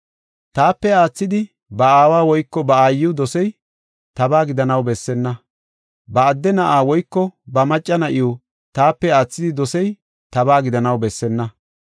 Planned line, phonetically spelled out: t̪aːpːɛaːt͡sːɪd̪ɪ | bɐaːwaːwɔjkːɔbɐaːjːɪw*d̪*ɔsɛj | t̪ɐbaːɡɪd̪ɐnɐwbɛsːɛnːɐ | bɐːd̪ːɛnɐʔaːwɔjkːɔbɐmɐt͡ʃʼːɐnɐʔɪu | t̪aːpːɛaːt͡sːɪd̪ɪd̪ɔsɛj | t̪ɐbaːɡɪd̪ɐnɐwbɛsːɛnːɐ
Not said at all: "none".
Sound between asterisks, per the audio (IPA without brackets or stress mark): d̪